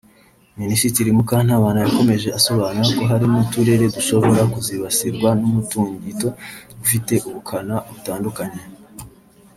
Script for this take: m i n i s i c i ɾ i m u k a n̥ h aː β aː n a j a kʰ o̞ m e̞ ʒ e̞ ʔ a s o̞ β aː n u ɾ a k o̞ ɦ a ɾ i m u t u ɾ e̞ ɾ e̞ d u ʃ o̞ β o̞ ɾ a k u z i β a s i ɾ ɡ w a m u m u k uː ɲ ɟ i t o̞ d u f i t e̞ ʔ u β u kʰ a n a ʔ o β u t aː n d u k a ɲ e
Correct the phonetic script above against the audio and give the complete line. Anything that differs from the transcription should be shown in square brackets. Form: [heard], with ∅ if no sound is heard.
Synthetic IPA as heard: m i n i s i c i ɾ i m u k a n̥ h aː β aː n a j a [k] o̞ m e̞ ʒ e̞ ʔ a s o̞ β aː n u ɾ a k o̞ ɦ a ɾ i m u t u ɾ e̞ ɾ e̞ d u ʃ o̞ β o̞ ɾ a k u z i β a s i ɾ ɡ w a [n] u m u [t] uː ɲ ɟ i t o̞ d u f i t e̞ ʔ u β u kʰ a n a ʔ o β u t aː n d u k a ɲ e